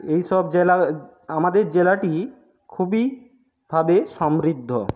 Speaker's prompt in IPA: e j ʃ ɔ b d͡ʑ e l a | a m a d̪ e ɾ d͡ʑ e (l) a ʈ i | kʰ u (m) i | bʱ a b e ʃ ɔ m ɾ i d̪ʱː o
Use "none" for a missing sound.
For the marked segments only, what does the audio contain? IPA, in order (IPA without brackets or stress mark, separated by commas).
l, b